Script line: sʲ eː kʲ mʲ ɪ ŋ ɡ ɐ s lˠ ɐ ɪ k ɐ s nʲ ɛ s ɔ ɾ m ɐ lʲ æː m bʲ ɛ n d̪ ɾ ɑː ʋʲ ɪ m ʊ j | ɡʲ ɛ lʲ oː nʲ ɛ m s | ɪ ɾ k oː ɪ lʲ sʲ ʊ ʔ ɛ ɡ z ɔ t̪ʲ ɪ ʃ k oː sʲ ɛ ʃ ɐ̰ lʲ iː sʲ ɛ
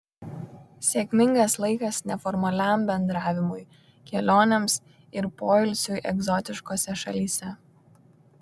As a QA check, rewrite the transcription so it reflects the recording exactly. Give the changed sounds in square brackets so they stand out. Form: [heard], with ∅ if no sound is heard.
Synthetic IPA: sʲ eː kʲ mʲ ɪ ŋ ɡ ɐ s lˠ ɐ ɪ k ɐ s nʲ ɛ [f] ɔ ɾ m ɐ lʲ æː m bʲ ɛ n d̪ ɾ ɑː ʋʲ ɪ m ʊ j | [kʲ] ɛ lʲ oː nʲ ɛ m s | ɪ ɾ [p] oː ɪ lʲ sʲ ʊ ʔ ɛ ɡ z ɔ t̪ʲ ɪ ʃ k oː sʲ ɛ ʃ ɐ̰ lʲ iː sʲ ɛ

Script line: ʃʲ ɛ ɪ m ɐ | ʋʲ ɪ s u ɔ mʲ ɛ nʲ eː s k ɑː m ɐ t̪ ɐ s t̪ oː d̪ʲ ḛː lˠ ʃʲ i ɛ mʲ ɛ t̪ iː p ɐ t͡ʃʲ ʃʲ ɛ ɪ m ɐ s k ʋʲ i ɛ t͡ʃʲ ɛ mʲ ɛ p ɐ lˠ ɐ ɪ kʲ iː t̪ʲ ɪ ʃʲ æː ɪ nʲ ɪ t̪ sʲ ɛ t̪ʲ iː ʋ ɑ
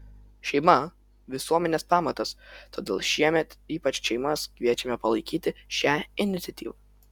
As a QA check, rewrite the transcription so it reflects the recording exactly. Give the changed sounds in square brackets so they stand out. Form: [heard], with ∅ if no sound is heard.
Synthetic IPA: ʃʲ ɛ ɪ m ɐ | ʋʲ ɪ s u ɔ mʲ ɛ nʲ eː s [p] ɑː m ɐ t̪ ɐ s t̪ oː d̪ʲ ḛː lˠ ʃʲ i ɛ mʲ ɛ t̪ iː p ɐ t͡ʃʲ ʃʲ ɛ ɪ m ɐ s k ʋʲ i ɛ t͡ʃʲ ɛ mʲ ɛ p ɐ lˠ ɐ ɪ kʲ iː t̪ʲ ɪ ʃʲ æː ɪ nʲ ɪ t̪ sʲ ɛ t̪ʲ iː ʋ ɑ

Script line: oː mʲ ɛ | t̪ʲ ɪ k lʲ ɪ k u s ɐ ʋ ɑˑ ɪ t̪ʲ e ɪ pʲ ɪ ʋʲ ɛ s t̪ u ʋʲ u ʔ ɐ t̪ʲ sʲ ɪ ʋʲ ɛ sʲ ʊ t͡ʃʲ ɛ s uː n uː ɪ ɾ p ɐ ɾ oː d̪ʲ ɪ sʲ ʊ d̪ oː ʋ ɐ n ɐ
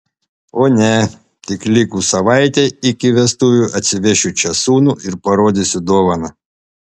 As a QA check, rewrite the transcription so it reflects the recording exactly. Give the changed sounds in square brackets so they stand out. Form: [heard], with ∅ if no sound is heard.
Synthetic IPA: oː [nʲ] ɛ | t̪ʲ ɪ k lʲ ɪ k u s ɐ ʋ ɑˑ ɪ t̪ʲ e ɪ [kʲ] ɪ ʋʲ ɛ s t̪ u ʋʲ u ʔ ɐ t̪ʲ sʲ ɪ ʋʲ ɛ [ʃʲ] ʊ t͡ʃʲ ɛ s uː n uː ɪ ɾ p ɐ ɾ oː d̪ʲ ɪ sʲ ʊ d̪ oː ʋ ɐ n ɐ

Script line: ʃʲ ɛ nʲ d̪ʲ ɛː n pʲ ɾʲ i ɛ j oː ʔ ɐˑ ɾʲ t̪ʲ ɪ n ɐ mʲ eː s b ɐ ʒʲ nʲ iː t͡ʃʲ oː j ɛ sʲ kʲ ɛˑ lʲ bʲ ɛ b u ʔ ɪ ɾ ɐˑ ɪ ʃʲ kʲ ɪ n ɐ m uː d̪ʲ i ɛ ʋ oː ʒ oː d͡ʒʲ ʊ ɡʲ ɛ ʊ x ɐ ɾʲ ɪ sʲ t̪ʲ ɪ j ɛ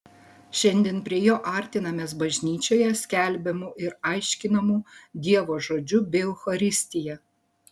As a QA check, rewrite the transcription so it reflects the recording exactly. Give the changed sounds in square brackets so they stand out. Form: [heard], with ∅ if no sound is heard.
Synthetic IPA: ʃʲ ɛ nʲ d̪ʲ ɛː n pʲ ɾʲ i ɛ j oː ʔ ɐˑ ɾʲ t̪ʲ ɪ n ɐ mʲ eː s b ɐ ʒʲ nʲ iː t͡ʃʲ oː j ɛ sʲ kʲ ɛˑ lʲ bʲ ɛ [m] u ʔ ɪ ɾ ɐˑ ɪ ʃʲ kʲ ɪ n ɐ m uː d̪ʲ i ɛ ʋ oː ʒ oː d͡ʒʲ ʊ [bʲ] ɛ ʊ x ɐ ɾʲ ɪ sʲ t̪ʲ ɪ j ɛ

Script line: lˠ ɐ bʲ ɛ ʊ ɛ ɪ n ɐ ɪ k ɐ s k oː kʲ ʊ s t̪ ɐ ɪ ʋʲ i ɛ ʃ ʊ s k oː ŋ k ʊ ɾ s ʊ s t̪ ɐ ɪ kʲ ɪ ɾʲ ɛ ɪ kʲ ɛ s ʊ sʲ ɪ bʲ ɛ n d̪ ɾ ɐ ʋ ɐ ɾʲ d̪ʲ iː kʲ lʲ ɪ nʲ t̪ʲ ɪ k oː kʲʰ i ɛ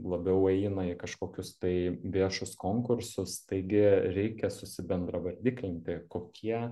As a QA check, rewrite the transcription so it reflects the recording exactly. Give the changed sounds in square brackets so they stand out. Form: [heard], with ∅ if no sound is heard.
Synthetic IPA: lˠ ɐ bʲ ɛ ʊ ɛ ɪ n ɐ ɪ k ɐ [ʃ] k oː kʲ ʊ s t̪ ɐ ɪ ʋʲ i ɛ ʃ ʊ s k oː ŋ k ʊ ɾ s ʊ s t̪ ɐ ɪ [ɡʲ] ɪ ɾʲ ɛ ɪ kʲ ɛ s ʊ sʲ ɪ bʲ ɛ n d̪ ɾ ɐ ʋ ɐ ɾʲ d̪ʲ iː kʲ lʲ ɪ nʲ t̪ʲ ɪ k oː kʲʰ i ɛ

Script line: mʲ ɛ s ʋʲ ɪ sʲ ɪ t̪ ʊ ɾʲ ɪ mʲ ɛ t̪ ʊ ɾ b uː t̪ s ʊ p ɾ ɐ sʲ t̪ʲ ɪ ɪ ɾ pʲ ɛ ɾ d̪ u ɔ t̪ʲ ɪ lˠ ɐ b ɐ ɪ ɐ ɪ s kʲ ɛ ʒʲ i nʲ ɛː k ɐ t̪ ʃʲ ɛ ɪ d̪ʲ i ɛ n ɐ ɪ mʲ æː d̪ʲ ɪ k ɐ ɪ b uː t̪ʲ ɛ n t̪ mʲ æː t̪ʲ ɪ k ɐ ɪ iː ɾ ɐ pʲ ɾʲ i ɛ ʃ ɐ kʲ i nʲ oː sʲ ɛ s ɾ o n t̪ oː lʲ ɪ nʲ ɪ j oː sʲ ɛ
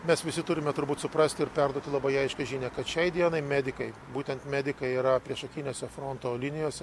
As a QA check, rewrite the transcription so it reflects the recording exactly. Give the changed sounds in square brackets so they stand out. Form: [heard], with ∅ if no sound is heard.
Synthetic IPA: mʲ ɛ s ʋʲ ɪ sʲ ɪ t̪ ʊ ɾʲ ɪ mʲ ɛ t̪ ʊ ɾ b uː t̪ s ʊ p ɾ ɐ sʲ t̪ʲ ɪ ɪ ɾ pʲ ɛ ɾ d̪ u ɔ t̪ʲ ɪ lˠ ɐ b ɐ ɪ ɐ ɪ [ʃ] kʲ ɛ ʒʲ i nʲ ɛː k ɐ t̪ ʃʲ ɛ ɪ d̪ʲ i ɛ n ɐ ɪ mʲ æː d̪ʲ ɪ k ɐ ɪ b uː t̪ʲ ɛ n t̪ mʲ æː [d̪ʲ] ɪ k ɐ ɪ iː ɾ ɐ pʲ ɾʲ i ɛ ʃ ɐ kʲ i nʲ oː sʲ ɛ [f] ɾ o n t̪ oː lʲ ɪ nʲ ɪ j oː sʲ ɛ

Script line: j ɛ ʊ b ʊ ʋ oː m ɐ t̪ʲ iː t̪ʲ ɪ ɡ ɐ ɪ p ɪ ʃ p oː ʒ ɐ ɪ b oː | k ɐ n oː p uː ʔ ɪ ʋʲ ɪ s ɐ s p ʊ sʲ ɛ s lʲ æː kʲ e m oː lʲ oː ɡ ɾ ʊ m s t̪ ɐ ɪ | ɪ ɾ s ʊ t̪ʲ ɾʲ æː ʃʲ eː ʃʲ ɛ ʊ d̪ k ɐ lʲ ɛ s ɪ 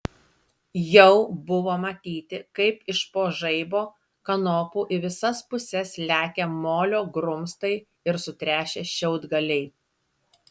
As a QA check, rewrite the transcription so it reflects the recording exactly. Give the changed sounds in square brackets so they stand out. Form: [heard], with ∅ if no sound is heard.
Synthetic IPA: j ɛ ʊ b ʊ ʋ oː m ɐ t̪ʲ iː t̪ʲ ɪ [k] ɐ ɪ p ɪ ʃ p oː ʒ ɐ ɪ b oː | k ɐ n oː p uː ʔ ɪ ʋʲ ɪ s ɐ s p ʊ sʲ ɛ s lʲ æː kʲ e m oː lʲ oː ɡ ɾ ʊ m s t̪ ɐ ɪ | ɪ ɾ s ʊ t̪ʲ ɾʲ æː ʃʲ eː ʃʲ ɛ ʊ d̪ [ɡ] ɐ lʲ ɛ [∅] ɪ

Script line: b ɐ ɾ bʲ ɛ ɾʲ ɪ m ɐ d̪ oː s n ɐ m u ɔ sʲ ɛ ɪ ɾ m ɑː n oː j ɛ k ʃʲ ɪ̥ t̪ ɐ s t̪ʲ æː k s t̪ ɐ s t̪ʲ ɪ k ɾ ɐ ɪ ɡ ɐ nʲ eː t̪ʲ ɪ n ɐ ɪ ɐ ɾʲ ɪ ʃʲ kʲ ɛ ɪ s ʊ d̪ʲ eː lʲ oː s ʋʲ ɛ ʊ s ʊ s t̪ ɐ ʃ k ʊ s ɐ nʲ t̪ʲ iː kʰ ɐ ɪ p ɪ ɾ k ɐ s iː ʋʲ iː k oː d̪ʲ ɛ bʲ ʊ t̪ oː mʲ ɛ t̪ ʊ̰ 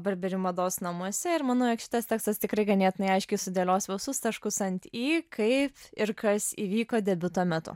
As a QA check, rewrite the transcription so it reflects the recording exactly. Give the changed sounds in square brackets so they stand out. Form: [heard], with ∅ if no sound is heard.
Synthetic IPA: b ɐ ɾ bʲ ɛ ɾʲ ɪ m ɐ d̪ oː s n ɐ m u ɔ sʲ ɛ ɪ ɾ m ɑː n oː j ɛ k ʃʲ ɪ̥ t̪ ɐ s t̪ʲ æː k s t̪ ɐ s t̪ʲ ɪ k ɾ ɐ ɪ ɡ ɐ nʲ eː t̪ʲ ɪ n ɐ ɪ ɐ [∅] ɪ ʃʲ kʲ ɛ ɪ s ʊ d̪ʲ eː lʲ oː s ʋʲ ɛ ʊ s ʊ s t̪ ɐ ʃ k ʊ s ɐ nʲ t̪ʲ iː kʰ ɐ ɪ p ɪ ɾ k ɐ s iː ʋʲ iː k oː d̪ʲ ɛ bʲ ʊ t̪ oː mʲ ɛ t̪ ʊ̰

